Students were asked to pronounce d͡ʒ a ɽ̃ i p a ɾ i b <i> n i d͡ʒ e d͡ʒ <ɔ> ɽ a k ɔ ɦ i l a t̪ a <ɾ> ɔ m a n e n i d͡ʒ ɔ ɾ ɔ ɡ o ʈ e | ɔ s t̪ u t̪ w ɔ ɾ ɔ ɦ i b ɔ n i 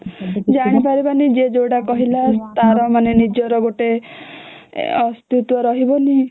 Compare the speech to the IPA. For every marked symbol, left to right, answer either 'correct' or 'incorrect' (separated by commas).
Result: incorrect, incorrect, correct